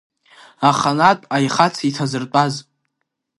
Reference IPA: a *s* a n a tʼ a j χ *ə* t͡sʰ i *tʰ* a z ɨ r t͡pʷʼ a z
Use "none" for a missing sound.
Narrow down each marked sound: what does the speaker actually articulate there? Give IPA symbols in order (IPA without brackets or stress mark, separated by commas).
χ, a, tʰ